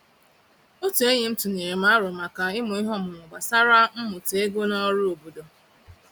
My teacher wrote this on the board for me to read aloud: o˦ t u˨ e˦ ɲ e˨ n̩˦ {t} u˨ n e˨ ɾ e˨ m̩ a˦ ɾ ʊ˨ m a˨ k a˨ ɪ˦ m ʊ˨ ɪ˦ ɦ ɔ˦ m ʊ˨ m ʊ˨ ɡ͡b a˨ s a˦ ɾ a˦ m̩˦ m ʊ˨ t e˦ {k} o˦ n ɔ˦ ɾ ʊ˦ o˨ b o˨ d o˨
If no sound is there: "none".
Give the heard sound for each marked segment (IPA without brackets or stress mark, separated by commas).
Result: t, ɡ